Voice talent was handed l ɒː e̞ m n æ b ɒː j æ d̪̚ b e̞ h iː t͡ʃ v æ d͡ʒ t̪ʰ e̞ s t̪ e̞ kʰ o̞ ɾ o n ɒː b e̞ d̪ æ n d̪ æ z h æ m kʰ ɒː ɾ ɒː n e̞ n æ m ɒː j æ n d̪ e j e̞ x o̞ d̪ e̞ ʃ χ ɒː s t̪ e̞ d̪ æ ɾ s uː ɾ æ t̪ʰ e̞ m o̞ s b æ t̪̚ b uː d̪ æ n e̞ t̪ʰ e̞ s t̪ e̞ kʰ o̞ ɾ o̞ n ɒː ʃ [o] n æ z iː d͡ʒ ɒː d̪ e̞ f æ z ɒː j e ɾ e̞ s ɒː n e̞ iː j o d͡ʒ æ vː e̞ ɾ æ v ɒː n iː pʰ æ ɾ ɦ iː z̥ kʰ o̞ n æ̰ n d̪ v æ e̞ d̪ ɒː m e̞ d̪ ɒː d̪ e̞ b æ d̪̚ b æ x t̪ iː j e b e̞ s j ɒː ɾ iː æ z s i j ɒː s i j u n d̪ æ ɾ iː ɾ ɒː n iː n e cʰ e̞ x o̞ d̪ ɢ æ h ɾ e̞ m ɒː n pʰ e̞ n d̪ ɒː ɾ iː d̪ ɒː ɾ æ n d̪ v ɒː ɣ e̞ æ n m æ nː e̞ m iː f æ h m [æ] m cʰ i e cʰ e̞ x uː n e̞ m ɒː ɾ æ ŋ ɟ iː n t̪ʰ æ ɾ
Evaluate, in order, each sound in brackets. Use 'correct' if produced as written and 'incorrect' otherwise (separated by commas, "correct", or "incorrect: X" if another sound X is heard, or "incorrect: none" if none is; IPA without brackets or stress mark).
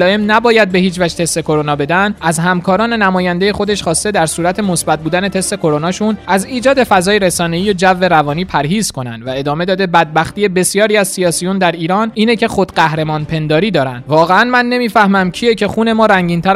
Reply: incorrect: u, correct